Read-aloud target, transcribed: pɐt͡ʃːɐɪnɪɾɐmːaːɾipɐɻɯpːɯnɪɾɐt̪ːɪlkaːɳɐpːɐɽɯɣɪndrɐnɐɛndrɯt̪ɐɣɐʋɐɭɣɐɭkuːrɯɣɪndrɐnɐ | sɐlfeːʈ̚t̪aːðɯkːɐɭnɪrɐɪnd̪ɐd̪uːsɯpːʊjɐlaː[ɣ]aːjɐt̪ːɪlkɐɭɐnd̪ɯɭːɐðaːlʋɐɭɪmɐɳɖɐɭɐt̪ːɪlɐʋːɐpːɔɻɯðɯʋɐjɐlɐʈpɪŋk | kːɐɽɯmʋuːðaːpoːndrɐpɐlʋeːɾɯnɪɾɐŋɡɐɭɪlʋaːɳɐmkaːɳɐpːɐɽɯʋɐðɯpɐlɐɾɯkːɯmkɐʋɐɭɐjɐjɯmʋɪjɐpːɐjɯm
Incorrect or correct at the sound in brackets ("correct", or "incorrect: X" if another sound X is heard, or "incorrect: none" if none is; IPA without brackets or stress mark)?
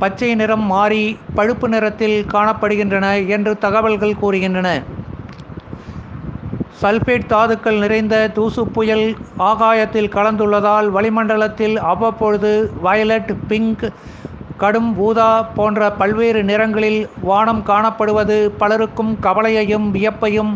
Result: correct